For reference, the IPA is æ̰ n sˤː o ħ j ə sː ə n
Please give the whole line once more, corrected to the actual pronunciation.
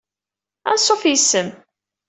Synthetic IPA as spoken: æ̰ n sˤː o f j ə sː ə m

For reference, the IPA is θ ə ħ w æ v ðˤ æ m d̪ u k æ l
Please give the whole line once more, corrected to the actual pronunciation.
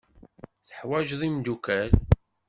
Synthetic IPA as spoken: θ ə ħ w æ ʒ ðˤ i m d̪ u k æ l

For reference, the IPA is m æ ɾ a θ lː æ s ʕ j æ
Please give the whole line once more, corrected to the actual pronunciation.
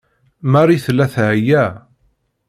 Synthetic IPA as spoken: m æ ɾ i θ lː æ θ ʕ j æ

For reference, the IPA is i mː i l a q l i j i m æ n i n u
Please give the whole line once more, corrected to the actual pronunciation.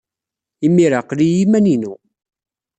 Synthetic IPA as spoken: i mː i ɾ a q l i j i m æ n i n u

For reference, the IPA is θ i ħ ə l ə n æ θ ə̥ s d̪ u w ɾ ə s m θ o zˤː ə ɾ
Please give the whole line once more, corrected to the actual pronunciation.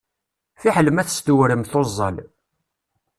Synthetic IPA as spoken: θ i ħ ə l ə m æ θ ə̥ s t̪ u w ɾ ə m θ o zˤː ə l

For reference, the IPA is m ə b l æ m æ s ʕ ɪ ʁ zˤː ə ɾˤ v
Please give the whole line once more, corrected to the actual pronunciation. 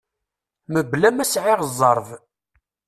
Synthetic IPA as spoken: m ə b l æ m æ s ʕ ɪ ʁ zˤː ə ɾˤ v

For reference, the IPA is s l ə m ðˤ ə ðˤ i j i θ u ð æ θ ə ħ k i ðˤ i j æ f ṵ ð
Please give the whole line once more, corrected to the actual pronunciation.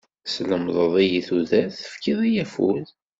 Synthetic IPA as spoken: s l ə m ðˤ ə ðˤ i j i θ u ð æ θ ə f k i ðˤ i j æ f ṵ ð

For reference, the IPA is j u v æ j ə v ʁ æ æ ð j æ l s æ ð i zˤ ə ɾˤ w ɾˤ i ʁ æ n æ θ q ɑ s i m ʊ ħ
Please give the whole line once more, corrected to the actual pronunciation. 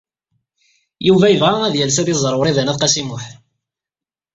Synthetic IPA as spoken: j u v æ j ə v ʁ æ æ ð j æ l s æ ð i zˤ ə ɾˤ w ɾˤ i ð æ n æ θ q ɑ s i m ʊ ħ

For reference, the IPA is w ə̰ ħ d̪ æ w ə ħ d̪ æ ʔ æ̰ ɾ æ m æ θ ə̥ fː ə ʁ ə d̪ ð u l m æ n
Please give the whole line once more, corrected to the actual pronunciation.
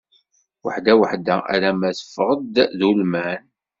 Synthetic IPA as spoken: w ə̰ ħ d̪ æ w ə ħ d̪ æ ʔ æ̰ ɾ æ m æ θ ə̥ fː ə ʁ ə d̪ ð u l m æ n

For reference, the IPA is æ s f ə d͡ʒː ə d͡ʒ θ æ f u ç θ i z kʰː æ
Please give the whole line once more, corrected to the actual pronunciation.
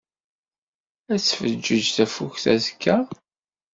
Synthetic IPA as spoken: æ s f ə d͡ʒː ə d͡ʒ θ æ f u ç θ æ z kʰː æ

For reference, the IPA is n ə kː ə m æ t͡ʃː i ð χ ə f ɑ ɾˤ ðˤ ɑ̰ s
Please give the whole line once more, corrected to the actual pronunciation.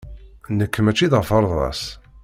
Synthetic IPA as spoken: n ə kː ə m æ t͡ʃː i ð ʁ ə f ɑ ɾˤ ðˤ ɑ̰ s

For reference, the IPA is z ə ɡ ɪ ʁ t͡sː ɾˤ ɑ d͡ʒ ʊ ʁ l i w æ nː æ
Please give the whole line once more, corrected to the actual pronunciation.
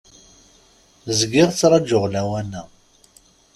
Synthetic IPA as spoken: z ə ɡ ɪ ʁ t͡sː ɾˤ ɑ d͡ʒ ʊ ʁ l æ w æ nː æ

